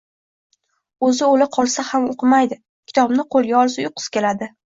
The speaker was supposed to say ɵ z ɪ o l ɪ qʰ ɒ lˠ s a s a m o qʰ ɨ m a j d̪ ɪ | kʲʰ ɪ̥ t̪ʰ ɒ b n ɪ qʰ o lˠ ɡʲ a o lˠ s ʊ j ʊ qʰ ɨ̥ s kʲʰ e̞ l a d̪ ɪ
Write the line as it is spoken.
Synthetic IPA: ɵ z ɪ o l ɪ qʰ ɒ lˠ s a h a m o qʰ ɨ m a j d̪ ɪ | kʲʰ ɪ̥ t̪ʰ ɒ b n ɪ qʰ o lˠ ɡʲ a ɒ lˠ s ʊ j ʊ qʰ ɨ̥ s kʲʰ e̞ l a d̪ ɪ

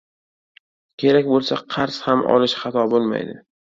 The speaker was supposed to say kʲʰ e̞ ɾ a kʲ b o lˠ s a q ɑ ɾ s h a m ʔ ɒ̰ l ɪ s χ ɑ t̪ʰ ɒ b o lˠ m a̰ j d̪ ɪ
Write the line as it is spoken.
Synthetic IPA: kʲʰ e̞ ɾ a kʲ b o lˠ s a qʰ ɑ ɾ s h a m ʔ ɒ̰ l ɪ ʃ χ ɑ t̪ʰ ɒ b o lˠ m a̰ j d̪ ɪ

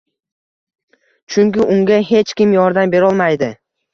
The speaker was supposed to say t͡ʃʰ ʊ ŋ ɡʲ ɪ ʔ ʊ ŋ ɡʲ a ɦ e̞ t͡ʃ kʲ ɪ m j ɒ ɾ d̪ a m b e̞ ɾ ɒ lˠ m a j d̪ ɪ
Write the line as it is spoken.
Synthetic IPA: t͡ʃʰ ʊ ŋ kʲ ɪ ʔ ʊ ŋ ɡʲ a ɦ e̞ t͡ʃ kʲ ɪ m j ɒ ɾ d̪ a m b e̞ ɾ ɒ lˠ m a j d̪ ɪ

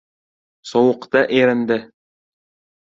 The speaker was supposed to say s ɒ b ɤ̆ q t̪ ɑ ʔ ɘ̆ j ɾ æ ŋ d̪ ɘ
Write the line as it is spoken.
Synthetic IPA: s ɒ w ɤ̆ q t̪ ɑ ʔ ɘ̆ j ɾ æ n d̪ ɘ

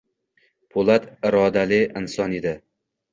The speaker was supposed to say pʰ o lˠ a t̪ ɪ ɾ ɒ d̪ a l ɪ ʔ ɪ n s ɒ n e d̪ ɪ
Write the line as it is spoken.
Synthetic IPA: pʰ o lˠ a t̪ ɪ ɾ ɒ d̪ a l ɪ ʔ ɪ n s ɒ n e d̪ ɪ

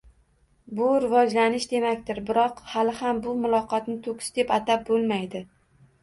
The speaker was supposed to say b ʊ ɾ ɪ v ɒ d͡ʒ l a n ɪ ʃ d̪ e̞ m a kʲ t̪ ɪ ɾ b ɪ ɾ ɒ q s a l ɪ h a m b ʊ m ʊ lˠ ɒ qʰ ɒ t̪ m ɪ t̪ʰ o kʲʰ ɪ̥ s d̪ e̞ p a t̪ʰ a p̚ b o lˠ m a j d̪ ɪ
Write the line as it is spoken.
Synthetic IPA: b ʊ ɾ ɪ v ɒ d͡ʒ l a n ɪ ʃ d̪ e̞ m a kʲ t̪ ɪ ɾ b ɪ ɾ ɒ q h a l ɪ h a m b ʊ m ʊ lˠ ɒ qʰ ɒ t̪ n ɪ t̪ʰ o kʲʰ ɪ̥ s d̪ e̞ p a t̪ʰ a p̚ b o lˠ m a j d̪ ɪ

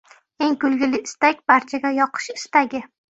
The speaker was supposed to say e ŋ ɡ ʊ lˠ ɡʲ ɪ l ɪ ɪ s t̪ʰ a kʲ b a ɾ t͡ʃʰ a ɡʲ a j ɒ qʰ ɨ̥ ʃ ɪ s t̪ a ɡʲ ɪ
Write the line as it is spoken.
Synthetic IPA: e ŋ k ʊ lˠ ɡʲ ɪ l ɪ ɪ s t̪ a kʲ b a ɾ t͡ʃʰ a ɡʲ a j ɒ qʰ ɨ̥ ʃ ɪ s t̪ a ɡʲ ɪ

